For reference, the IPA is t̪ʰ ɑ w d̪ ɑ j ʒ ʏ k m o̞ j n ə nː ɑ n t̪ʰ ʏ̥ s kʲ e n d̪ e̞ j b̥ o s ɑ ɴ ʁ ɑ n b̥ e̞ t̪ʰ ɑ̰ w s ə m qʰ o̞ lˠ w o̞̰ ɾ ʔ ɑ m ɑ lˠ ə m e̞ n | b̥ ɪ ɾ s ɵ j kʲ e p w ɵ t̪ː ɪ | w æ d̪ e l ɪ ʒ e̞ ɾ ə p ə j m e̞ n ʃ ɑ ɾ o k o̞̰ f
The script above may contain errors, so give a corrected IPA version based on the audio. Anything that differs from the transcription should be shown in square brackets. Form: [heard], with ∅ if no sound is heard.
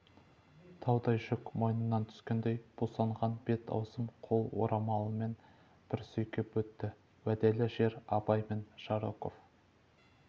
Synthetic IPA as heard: t̪ʰ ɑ w d̪ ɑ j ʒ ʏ k m o̞ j n ə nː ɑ n t̪ʰ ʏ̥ s kʲ e n d̪ e̞ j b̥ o s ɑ ɴ ʁ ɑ n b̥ e̞ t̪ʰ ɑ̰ w s ə m qʰ o̞ lˠ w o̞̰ ɾ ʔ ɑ m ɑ lˠ ə m e̞ n | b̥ ɪ ɾ s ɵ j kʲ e p w ɵ t̪ː ɪ | w æ d̪ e l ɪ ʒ e̞ ɾ [ɑ] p [ɑ] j m e̞ n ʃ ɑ ɾ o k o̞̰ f

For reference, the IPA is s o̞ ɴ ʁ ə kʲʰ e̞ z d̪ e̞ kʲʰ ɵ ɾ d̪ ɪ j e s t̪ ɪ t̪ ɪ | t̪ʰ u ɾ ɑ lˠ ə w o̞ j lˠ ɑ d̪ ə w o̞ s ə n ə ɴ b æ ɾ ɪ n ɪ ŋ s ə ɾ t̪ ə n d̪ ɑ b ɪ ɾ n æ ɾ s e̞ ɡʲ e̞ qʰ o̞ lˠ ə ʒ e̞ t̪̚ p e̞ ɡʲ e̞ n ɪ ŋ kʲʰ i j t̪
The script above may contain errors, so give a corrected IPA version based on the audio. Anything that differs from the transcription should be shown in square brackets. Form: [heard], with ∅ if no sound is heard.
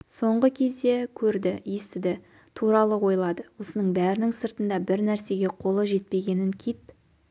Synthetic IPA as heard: s o̞ ɴ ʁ ə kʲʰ e̞ z d̪ e̞ kʲʰ ɵ ɾ d̪ ɪ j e s t̪ ɪ [d̪] ɪ | t̪ʰ u ɾ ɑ lˠ ə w o̞ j lˠ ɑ d̪ ə w o̞ s ə n ə ɴ b æ ɾ ɪ n ɪ ŋ s ə ɾ t̪ ə n d̪ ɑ b ɪ ɾ n æ ɾ s e̞ ɡʲ e̞ qʰ o̞ lˠ ə ʒ e̞ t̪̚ p e̞ ɡʲ e̞ n ɪ ŋ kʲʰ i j t̪

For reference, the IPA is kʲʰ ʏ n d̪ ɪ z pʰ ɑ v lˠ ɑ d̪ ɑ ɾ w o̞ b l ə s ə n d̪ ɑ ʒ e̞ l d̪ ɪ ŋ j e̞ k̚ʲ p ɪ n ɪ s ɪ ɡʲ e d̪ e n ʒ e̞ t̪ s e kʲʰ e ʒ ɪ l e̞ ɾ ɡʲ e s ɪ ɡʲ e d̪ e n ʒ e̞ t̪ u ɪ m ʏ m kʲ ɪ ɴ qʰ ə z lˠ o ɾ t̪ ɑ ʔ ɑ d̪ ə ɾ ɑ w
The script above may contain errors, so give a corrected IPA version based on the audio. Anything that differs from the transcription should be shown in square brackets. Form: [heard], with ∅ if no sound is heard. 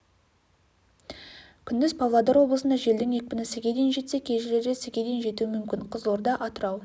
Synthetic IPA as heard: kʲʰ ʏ n d̪ ɪ z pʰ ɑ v lˠ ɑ d̪ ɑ ɾ w o̞ b l ə s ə n d̪ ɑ ʒ e̞ l d̪ ɪ ŋ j e̞ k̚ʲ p ɪ n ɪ s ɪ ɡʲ e d̪ e n ʒ e̞ t̪ s e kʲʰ e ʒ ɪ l e̞ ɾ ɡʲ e s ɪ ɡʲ e d̪ e n ʒ e̞ t̪ u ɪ m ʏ m kʲ ɪ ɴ qʰ ə z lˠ o ɾ [d̪] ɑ ʔ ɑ [t̪] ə ɾ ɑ w

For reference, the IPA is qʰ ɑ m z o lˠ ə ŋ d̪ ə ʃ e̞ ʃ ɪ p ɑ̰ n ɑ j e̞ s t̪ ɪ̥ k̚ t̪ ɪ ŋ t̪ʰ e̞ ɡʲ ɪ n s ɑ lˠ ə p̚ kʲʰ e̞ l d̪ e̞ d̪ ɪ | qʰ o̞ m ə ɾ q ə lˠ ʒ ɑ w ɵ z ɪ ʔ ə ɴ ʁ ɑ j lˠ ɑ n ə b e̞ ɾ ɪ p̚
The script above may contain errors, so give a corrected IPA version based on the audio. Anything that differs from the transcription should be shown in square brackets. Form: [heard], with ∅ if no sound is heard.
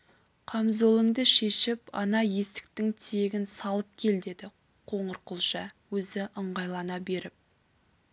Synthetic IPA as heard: qʰ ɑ m z o lˠ ə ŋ d̪ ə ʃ e̞ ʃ ɪ p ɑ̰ n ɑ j e̞ s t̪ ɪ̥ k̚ t̪ ɪ ŋ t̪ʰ e̞ ɡʲ ɪ n s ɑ lˠ ə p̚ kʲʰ e̞ l d̪ e̞ d̪ ɪ | qʰ o̞ [ɴ] ə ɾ q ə lˠ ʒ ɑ w ɵ z ɪ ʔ ə ɴ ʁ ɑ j lˠ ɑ n [ɑ] b e̞ ɾ ɪ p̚

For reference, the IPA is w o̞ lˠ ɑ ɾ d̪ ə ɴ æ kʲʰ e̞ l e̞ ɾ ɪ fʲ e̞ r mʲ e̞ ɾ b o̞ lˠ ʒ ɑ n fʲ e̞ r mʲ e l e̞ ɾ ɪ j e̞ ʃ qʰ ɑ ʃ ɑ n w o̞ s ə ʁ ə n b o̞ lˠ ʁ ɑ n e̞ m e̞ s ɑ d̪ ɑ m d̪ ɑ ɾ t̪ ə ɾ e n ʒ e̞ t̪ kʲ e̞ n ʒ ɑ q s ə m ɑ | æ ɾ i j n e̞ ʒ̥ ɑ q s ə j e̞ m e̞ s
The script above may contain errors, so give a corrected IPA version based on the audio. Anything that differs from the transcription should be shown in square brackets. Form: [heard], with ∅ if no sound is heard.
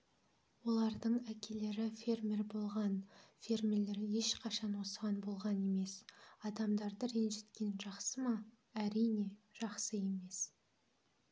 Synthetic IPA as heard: w o̞ lˠ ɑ ɾ d̪ ə ɴ æ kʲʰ e̞ l e̞ ɾ ɪ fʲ e̞ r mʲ e̞ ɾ b o̞ lˠ [ʁ] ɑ n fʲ e̞ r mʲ e l e̞ ɾ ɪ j e̞ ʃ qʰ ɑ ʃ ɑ n w o̞ s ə ʁ [ɑ] n b o̞ lˠ ʁ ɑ n e̞ m e̞ s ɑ d̪ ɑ m d̪ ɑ ɾ [d̪] ə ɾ e n ʒ e̞ t̪ kʲ e̞ n ʒ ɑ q s ə m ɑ | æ ɾ i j n e̞ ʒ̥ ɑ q s ə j e̞ m e̞ s

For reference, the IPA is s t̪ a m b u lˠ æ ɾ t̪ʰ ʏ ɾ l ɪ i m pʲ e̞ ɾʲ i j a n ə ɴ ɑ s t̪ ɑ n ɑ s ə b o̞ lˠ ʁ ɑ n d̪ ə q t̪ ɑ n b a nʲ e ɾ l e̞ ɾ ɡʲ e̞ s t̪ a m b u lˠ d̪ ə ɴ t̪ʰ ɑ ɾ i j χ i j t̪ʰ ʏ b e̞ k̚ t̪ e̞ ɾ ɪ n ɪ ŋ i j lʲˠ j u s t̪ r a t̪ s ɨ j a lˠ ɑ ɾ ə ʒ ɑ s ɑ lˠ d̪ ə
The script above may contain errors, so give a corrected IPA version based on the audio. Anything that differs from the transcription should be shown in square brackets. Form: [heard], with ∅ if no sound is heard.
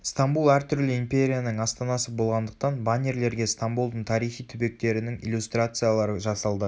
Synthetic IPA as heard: s t̪ a m b u lˠ æ ɾ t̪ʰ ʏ ɾ l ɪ i m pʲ e̞ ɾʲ i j a n ə ɴ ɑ s t̪ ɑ n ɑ s ə b o̞ lˠ ʁ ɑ n d̪ ə q t̪ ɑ n b a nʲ e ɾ l e̞ ɾ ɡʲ e̞ s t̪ a m b u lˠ d̪ ə ɴ t̪ʰ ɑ ɾ i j χ i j t̪ʰ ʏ b e̞ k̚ t̪ e̞ ɾ ɪ n ɪ ŋ i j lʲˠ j u s t̪ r a t̪ s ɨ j a lˠ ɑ ɾ ə ʒ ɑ s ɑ lˠ d̪ ə

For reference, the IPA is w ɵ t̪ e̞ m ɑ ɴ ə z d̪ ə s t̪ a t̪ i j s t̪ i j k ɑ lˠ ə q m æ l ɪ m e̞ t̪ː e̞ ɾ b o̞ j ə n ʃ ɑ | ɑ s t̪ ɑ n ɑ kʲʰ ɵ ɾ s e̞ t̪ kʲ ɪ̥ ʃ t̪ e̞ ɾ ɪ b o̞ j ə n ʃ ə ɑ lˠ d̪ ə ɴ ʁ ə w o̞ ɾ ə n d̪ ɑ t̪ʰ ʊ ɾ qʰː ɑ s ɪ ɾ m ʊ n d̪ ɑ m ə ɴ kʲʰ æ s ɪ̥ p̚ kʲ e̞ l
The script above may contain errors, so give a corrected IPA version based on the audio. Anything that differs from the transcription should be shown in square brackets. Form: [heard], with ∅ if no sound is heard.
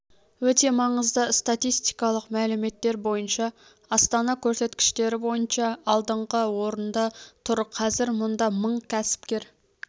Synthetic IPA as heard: w ɵ t̪ e̞ m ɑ ɴ ə z d̪ ə s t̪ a t̪ i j s t̪ i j k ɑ lˠ ə q m æ l ɪ m e̞ t̪ː e̞ ɾ b o̞ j ə n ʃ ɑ | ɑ s t̪ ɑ n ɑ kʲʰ ɵ ɾ s e̞ t̪ kʲ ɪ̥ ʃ t̪ e̞ ɾ ɪ b o̞ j ə n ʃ [ɑ] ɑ lˠ d̪ ə ɴ ʁ ə w o̞ ɾ ə n d̪ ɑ t̪ʰ ʊ ɾ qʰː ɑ [z] ɪ ɾ m ʊ n d̪ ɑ m ə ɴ kʲʰ æ s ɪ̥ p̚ kʲ e̞ [ɾ]

